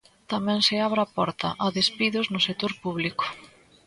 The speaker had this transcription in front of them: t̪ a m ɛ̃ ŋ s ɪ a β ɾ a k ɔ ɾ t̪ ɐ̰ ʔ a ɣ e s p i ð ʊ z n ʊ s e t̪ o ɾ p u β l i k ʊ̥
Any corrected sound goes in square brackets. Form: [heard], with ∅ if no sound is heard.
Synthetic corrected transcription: t̪ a m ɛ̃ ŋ s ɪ a β ɾ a [p] ɔ ɾ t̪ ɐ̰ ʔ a [ð] e s p i ð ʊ z n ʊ s e t̪ o ɾ p u β l i k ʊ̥